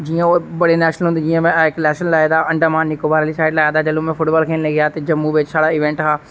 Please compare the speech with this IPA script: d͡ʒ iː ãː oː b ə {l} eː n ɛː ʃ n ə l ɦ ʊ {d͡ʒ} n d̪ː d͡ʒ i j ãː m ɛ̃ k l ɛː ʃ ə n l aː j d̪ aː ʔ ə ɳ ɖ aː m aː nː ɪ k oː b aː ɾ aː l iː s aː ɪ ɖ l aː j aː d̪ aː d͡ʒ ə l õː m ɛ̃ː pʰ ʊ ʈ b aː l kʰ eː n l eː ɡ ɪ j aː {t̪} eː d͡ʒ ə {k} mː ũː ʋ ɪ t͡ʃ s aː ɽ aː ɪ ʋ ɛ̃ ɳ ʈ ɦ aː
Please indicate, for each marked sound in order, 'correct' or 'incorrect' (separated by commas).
incorrect, incorrect, correct, incorrect